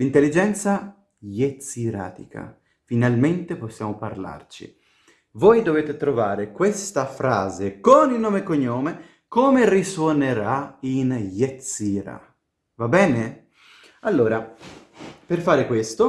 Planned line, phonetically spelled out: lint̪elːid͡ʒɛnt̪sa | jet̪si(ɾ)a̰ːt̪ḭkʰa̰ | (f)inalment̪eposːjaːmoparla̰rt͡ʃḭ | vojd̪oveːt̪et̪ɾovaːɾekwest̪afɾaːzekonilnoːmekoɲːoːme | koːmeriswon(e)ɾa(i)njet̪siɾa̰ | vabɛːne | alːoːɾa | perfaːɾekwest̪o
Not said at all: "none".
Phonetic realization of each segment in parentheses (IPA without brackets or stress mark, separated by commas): ɾ, f, e, i